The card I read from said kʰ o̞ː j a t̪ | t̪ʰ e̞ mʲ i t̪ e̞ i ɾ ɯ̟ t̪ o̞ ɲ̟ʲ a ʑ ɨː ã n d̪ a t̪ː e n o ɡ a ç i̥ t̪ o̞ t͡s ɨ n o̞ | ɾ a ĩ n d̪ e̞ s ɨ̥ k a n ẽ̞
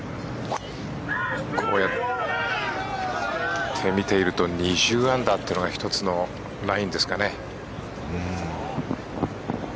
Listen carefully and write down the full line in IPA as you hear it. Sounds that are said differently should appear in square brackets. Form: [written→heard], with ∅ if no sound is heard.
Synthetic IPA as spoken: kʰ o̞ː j a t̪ | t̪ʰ e̞ mʲ i t̪ e̞ i ɾ ɯ̟ t̪ o̞ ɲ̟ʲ [a→i] ʑ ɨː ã n d̪ a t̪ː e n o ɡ a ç i̥ t̪ o̞ t͡s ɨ n o̞ | ɾ a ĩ n d̪ e̞ s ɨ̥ k a n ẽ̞